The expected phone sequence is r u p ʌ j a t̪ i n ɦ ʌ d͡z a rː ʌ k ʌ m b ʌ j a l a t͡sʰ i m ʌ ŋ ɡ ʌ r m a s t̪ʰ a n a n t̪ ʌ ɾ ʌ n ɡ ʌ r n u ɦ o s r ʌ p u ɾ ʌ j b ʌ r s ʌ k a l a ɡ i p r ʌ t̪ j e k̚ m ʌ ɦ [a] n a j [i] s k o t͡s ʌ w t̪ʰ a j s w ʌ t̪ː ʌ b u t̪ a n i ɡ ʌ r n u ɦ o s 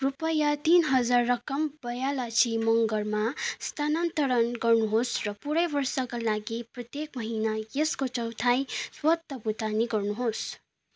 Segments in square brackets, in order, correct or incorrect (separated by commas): incorrect, incorrect